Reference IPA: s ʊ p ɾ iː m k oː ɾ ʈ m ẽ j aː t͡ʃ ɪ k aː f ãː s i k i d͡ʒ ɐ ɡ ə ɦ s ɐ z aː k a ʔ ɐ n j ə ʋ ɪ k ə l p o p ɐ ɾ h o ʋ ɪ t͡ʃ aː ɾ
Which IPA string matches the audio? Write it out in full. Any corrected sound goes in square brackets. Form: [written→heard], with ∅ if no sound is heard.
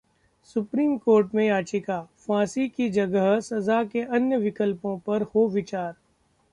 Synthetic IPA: s ʊ p ɾ iː m k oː ɾ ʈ m ẽ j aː t͡ʃ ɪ k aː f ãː s i k i d͡ʒ ɐ ɡ ə ɦ s ɐ z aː k [a→e] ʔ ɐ n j ə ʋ ɪ k ə l p [o→õ] p ɐ ɾ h o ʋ ɪ t͡ʃ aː ɾ

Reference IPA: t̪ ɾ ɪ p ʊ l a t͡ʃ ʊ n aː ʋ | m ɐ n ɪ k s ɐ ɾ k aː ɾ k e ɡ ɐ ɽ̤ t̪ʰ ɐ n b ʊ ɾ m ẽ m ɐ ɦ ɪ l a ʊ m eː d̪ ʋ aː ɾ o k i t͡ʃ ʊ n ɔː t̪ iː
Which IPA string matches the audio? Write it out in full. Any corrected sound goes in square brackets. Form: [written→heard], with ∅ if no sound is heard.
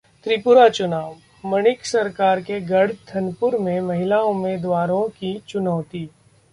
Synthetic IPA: t̪ ɾ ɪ p ʊ [l→ɾ] a t͡ʃ ʊ n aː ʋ | m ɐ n ɪ k s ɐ ɾ k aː ɾ k e ɡ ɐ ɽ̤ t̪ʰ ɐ n [b→p] ʊ ɾ m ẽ m ɐ ɦ ɪ l a ʊ m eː d̪ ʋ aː ɾ [o→õ] k i t͡ʃ ʊ n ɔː t̪ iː

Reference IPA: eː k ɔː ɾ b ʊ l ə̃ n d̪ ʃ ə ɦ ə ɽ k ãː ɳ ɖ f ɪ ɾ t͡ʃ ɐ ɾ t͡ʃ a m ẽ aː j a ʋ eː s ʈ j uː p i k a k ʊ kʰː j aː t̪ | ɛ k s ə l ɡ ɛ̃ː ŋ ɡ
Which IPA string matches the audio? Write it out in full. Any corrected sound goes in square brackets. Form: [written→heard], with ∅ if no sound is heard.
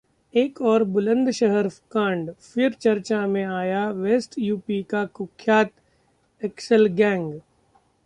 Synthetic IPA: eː k ɔː ɾ b ʊ l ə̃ n d̪ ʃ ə ɦ ə [ɽ→ɾ] k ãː ɳ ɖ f ɪ ɾ t͡ʃ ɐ ɾ t͡ʃ a m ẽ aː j a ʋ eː s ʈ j uː p i k a k ʊ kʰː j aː t̪ | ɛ k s ə l ɡ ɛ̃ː ŋ ɡ

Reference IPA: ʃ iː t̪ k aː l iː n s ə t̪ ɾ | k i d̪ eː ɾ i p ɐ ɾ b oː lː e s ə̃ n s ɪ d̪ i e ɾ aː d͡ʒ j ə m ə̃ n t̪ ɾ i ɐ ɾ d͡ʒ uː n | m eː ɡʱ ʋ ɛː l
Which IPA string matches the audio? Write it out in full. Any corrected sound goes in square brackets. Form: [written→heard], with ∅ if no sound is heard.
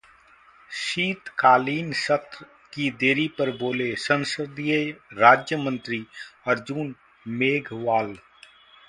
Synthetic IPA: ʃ iː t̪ k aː l iː n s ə t̪ ɾ | k i d̪ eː ɾ i p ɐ ɾ b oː [lː→l] e s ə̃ n s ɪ d̪ i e ɾ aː d͡ʒ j ə m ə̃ n t̪ ɾ i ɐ ɾ d͡ʒ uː n | m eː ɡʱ ʋ [ɛː→aː] l

